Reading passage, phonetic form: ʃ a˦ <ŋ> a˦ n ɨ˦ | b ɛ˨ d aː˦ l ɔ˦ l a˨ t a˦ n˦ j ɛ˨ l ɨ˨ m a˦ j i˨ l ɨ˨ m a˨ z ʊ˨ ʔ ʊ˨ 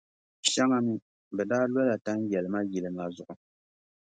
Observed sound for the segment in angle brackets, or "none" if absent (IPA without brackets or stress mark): ŋ